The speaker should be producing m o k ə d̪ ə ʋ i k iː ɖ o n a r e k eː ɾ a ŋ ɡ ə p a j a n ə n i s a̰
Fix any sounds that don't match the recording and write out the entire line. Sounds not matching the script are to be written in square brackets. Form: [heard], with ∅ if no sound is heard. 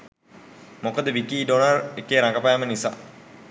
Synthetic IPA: m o k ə d̪ ə ʋ i k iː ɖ o n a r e k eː ɾ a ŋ ɡ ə p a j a [m] ə n i s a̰